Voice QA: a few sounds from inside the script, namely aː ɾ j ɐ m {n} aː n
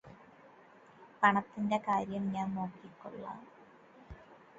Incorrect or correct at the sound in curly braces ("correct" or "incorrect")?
incorrect